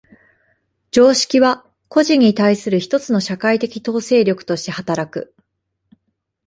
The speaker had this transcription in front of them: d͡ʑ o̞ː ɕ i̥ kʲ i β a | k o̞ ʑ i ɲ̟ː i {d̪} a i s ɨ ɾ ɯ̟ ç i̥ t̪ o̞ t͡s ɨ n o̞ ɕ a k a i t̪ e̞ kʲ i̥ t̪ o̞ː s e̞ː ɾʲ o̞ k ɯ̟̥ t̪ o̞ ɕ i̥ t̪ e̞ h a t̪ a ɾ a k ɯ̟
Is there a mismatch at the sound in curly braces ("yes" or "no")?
yes